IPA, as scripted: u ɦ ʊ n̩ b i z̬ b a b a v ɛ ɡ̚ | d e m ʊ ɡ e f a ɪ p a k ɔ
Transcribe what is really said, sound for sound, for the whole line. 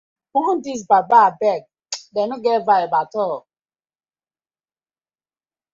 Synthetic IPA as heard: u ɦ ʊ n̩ d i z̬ b a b a b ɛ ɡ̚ | d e n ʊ ɡ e v a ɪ b a t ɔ